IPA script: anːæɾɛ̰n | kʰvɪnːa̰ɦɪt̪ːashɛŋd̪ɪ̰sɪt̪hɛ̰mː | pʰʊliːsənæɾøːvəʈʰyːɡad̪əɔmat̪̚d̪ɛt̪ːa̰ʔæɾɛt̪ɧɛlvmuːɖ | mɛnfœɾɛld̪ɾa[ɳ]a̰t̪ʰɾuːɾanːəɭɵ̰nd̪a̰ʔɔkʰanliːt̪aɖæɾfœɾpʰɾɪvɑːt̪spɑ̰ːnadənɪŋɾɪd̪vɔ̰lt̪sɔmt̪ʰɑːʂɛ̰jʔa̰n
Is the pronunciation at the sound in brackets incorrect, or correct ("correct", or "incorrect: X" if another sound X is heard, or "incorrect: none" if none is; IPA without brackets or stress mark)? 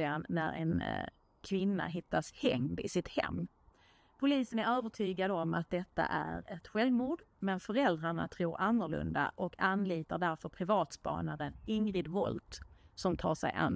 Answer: correct